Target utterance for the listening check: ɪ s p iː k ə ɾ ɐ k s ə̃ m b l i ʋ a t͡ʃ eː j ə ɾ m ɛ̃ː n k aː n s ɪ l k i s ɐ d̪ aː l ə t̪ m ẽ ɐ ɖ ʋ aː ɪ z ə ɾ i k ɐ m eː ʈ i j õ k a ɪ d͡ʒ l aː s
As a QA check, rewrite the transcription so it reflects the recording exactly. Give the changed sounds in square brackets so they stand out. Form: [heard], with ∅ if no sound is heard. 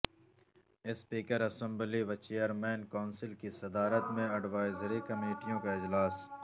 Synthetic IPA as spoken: ɪ s p iː k ə ɾ ɐ [∅] s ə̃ m b l i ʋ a t͡ʃ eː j ə ɾ m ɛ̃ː n k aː n s ɪ l k i s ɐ d̪ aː [ɾ] ə t̪ m ẽ ɐ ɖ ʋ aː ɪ z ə ɾ i k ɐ m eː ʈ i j õ k a ɪ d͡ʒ l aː s

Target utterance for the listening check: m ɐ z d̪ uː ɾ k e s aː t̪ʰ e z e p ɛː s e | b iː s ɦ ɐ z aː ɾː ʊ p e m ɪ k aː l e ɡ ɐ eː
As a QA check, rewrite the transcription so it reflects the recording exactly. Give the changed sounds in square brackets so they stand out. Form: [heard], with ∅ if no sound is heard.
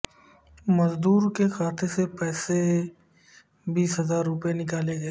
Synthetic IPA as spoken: m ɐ z d̪ uː ɾ k e [x] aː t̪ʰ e [s] e p ɛː s e | b iː s ɦ ɐ z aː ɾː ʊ p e [n] ɪ k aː l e ɡ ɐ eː

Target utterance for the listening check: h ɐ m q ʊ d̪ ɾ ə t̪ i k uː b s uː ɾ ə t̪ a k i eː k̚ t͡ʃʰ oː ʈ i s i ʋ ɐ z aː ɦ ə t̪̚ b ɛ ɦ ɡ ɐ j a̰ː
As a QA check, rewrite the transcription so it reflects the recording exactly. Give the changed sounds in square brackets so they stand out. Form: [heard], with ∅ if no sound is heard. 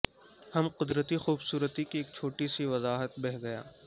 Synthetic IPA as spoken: h ɐ m q ʊ d̪ ɾ ə t̪ i [x] uː b s uː ɾ ə t̪ [i] k i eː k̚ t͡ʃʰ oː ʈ i s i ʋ ɐ z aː ɦ ə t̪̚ b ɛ ɦ ɡ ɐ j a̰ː

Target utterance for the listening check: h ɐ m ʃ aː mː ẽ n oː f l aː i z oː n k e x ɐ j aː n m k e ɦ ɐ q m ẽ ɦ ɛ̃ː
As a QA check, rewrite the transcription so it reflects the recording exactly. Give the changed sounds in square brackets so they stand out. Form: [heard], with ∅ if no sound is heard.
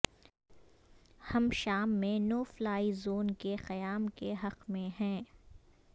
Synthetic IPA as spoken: h ɐ m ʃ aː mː ẽ n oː f l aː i z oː n k e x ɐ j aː [∅] m k e ɦ ɐ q m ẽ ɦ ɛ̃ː

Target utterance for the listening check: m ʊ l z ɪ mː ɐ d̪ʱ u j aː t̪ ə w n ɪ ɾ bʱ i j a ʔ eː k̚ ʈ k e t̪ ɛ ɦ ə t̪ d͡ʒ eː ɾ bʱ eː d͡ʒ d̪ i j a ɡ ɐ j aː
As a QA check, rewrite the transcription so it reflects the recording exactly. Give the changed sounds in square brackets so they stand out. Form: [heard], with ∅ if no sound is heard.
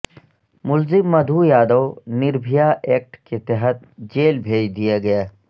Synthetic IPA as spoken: m ʊ l z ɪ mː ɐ d̪ʱ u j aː [d̪] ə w n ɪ ɾ bʱ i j a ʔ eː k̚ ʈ k e t̪ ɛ ɦ ə t̪ d͡ʒ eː [l] bʱ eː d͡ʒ d̪ i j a ɡ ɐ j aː

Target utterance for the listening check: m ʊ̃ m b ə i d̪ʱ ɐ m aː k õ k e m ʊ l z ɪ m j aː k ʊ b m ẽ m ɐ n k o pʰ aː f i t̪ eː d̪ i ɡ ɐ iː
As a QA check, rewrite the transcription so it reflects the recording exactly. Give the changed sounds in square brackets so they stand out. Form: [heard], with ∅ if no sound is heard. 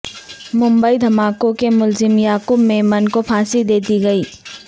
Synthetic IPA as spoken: m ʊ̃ m b ə i d̪ʱ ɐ m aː k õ k e m ʊ l z ɪ m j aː k ʊ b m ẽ m ɐ n k o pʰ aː [s] i [d̪] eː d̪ i ɡ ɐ iː

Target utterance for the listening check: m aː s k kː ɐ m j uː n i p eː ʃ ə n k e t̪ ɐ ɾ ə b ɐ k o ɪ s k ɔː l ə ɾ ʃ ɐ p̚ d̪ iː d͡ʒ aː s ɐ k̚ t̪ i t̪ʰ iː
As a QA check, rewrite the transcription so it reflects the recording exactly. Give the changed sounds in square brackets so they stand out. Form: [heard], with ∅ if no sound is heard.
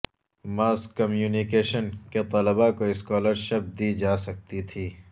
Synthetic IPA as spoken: m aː s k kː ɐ m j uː n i [k] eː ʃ ə n k e t̪ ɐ [l] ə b [a] k o ɪ s k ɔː l ə ɾ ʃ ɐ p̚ d̪ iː d͡ʒ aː s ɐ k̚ t̪ i t̪ʰ iː

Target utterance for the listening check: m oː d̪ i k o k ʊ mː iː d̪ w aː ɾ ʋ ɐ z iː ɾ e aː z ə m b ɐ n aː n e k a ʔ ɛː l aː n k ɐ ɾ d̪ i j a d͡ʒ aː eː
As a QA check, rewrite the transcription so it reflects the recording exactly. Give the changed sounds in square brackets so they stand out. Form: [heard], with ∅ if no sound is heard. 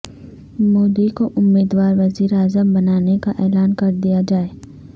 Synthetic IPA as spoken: m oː d̪ i k o [ʔ] ʊ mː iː d̪ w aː ɾ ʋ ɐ z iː ɾ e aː z ə m b ɐ n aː n e k a ʔ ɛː l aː n k ɐ ɾ d̪ i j a d͡ʒ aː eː

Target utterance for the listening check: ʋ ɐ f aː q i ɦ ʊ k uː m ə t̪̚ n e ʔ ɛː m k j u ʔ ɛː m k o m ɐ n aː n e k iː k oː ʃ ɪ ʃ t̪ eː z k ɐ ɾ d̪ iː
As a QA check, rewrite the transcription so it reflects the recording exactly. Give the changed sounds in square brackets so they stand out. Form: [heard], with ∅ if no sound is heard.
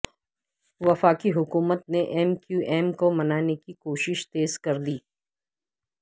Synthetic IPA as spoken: ʋ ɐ f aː [k] i ɦ ʊ k uː m ə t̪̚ n e ʔ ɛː m k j u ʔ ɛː m k o m ɐ n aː n e k [i] k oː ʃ ɪ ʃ t̪ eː z k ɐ ɾ d̪ iː

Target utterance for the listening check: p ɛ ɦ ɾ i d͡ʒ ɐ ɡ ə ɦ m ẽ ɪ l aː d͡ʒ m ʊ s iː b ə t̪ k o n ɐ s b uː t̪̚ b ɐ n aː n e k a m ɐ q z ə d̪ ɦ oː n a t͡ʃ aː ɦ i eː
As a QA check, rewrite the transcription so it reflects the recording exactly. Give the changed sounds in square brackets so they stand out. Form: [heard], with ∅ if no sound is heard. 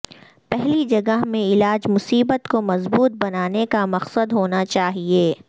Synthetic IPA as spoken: p ɛ ɦ [l] i d͡ʒ ɐ ɡ ə ɦ m ẽ ɪ l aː d͡ʒ m ʊ s iː b ə t̪ k o [m] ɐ [z] b uː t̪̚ b ɐ n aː n e k a m ɐ q [s] ə d̪ ɦ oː n a t͡ʃ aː ɦ i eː

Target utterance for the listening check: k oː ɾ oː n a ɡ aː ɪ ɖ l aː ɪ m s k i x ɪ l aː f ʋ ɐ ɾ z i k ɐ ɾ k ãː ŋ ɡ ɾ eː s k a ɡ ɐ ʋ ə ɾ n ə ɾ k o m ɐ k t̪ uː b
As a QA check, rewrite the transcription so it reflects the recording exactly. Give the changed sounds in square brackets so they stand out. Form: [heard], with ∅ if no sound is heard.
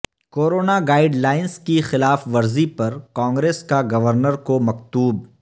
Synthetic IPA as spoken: k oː ɾ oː n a ɡ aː ɪ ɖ l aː ɪ [n] s k i x ɪ l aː f ʋ ɐ ɾ z i [p] ɐ ɾ k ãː ŋ ɡ ɾ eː s k a ɡ ɐ ʋ ə ɾ n ə ɾ k o m ɐ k t̪ uː b

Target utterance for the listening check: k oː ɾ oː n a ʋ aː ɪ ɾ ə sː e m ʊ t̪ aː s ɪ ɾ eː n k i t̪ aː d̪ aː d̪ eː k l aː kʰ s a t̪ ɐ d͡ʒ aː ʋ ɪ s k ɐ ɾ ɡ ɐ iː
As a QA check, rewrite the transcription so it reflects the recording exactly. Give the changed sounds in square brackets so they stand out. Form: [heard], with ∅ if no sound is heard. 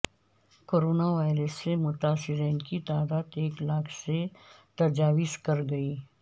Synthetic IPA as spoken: k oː ɾ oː n a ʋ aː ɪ ɾ ə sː e m ʊ t̪ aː s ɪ ɾ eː n k i t̪ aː d̪ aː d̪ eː k l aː kʰ s [e] t̪ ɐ d͡ʒ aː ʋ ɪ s k ɐ ɾ ɡ ɐ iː

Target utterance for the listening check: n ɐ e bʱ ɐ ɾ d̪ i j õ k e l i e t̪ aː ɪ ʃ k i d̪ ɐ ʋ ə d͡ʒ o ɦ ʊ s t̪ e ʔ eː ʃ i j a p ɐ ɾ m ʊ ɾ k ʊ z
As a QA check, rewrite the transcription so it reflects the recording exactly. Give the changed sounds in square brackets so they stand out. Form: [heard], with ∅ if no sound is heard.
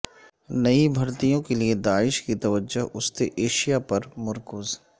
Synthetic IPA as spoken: n ɐ [i] bʱ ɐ ɾ [t̪] i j õ k e l i e [d̪] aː ɪ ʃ k i [t̪] ɐ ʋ ə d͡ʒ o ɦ ʊ s t̪ e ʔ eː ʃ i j a p ɐ ɾ m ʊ ɾ k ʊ z

